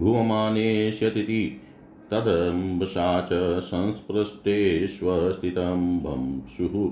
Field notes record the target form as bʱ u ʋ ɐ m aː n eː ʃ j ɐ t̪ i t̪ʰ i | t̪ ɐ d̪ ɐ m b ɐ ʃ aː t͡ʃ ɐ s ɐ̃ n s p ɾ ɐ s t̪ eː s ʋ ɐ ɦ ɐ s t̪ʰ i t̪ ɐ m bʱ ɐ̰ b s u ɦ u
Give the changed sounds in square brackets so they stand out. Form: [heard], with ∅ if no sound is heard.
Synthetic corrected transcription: bʱ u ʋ ɐ m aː n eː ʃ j ɐ t̪ i [t̪] i | t̪ ɐ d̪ ɐ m b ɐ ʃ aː t͡ʃ ɐ s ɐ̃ n s p ɾ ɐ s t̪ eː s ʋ ɐ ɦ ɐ s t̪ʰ i t̪ ɐ m bʱ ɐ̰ [m] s u ɦ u